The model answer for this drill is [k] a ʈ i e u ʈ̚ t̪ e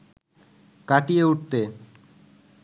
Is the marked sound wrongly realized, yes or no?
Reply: no